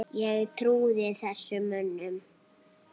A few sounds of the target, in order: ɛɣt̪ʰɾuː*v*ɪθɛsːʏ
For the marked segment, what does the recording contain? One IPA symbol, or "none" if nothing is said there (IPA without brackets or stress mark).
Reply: ð